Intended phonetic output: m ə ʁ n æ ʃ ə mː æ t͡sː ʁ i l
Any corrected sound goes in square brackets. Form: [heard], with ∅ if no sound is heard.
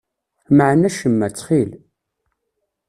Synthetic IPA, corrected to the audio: m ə [ʕ] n æ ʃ ə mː æ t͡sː [χ] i l